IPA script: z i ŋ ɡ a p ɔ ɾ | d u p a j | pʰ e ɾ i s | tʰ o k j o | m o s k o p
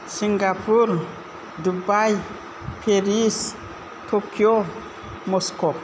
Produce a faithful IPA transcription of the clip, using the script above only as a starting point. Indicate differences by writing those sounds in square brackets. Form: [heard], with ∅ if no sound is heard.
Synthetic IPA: [s] i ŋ ɡ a p [u] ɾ | d u [b] a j | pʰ e ɾ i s | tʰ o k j o | m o s k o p